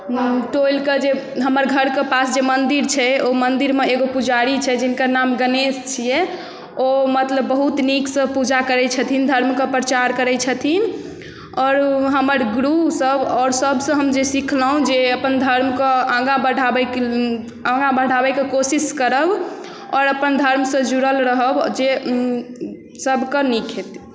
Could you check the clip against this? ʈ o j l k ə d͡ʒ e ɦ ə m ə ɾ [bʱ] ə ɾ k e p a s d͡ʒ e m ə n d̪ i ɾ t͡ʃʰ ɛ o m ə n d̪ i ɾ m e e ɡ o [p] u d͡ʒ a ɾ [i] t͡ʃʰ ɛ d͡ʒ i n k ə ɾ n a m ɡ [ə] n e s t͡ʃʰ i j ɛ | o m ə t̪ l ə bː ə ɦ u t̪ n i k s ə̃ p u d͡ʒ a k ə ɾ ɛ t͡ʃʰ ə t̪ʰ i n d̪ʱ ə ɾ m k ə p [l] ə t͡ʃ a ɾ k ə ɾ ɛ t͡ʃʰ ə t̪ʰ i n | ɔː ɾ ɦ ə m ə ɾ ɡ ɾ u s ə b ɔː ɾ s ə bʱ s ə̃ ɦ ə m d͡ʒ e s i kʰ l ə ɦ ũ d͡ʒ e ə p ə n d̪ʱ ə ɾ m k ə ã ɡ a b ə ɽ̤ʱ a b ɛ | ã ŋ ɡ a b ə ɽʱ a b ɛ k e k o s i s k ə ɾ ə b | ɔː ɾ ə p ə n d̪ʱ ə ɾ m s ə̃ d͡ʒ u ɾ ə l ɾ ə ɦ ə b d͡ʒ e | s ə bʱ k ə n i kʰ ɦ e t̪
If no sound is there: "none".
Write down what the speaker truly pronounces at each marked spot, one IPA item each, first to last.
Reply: ɡʱ, p, i, ə, ɾ

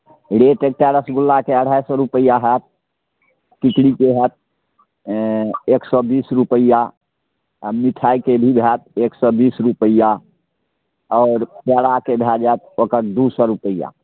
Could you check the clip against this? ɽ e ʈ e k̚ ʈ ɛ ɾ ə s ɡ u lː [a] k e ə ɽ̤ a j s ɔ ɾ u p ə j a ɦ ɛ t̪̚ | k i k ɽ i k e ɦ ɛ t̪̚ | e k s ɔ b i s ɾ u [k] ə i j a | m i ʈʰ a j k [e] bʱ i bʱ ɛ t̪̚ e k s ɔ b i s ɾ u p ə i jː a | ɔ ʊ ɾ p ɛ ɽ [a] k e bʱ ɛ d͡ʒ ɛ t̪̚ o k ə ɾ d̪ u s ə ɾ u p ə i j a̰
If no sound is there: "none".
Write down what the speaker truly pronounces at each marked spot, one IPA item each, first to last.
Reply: a, p, e, a

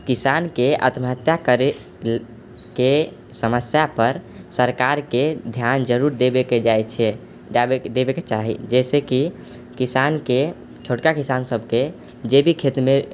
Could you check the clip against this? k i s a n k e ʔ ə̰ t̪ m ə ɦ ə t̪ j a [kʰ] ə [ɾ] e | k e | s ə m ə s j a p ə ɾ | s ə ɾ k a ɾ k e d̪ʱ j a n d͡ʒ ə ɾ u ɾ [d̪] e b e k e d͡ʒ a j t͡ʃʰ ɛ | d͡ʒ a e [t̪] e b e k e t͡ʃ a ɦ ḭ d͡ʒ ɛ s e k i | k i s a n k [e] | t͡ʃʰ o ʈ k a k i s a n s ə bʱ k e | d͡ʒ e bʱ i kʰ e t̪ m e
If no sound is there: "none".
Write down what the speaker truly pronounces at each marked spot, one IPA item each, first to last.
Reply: k, ɾ, d̪, d̪, e

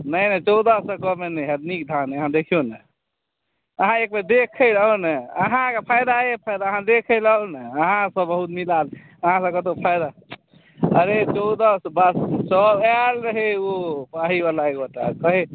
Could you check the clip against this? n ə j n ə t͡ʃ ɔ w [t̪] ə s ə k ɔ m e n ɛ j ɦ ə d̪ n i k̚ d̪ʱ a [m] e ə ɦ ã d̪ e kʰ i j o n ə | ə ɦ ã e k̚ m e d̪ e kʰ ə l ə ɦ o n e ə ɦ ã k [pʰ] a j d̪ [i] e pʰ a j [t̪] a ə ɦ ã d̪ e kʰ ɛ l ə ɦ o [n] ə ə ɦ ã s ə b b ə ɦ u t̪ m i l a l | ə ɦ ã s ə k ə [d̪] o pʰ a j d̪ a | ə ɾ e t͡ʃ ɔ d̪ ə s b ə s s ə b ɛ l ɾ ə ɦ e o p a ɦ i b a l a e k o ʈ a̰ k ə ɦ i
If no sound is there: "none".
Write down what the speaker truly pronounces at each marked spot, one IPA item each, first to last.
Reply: d̪, n, pʰ, a, d̪, n, t̪

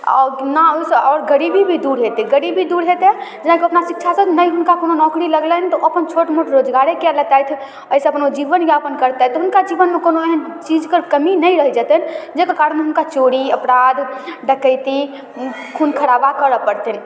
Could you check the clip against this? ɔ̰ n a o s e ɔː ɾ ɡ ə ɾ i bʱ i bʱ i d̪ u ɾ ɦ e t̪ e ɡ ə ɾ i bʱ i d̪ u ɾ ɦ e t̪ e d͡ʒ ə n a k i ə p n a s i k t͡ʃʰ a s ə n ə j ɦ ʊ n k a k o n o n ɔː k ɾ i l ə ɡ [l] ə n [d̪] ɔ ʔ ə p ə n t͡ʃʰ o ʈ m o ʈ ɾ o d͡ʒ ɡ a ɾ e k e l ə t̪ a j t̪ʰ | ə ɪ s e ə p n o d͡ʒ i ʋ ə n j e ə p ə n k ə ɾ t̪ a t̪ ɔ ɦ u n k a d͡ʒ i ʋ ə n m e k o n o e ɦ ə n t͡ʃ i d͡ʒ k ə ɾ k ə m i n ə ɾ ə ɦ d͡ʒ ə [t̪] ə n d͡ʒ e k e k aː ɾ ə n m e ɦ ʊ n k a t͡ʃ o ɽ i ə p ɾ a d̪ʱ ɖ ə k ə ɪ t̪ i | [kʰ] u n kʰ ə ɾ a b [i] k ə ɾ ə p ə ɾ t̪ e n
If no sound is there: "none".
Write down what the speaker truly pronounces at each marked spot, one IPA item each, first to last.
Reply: l, t̪, t̪, kʰ, a

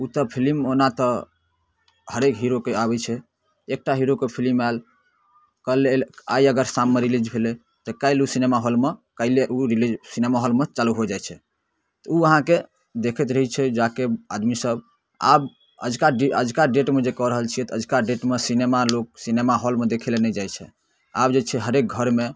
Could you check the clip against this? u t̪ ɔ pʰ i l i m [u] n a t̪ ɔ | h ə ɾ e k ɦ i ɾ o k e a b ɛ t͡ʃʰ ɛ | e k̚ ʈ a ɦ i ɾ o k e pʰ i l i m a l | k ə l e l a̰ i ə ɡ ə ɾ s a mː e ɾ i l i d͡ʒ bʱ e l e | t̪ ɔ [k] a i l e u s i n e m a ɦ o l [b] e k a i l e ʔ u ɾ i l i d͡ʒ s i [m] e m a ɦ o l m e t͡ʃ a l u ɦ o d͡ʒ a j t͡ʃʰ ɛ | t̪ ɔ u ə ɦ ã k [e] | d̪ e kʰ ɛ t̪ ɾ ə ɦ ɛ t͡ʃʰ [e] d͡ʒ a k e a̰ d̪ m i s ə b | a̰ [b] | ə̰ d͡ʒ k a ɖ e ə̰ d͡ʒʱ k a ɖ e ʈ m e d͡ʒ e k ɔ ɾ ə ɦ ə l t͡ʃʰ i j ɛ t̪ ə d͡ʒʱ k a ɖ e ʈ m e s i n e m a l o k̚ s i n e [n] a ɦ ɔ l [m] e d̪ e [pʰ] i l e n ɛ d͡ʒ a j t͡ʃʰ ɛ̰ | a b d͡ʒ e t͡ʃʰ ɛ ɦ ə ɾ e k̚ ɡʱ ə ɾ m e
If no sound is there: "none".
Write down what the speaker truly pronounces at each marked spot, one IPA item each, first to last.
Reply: o, k, m, n, e, ɛ, b, m, m, kʰ

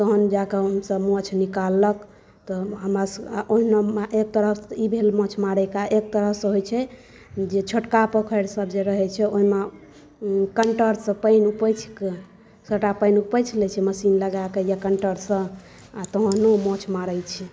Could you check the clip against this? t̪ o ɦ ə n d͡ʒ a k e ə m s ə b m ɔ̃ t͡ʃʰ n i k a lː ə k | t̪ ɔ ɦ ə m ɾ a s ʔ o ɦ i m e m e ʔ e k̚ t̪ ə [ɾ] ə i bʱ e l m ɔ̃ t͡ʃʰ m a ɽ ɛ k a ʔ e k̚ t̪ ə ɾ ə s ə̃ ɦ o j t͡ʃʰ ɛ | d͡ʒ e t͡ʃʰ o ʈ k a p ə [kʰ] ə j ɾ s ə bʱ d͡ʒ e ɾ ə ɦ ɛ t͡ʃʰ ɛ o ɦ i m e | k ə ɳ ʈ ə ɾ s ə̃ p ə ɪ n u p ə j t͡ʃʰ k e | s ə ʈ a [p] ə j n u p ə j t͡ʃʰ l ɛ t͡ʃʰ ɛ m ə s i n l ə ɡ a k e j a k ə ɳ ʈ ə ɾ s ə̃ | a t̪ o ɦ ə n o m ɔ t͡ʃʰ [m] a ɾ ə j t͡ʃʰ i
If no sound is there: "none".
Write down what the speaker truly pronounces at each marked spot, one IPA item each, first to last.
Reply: ɾ, kʰ, p, m

